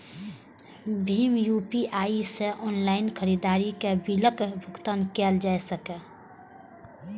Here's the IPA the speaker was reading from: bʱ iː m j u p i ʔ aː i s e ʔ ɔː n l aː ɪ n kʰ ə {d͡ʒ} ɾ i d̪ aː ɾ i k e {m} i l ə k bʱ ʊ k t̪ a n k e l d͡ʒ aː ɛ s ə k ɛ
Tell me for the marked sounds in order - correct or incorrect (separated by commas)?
incorrect, incorrect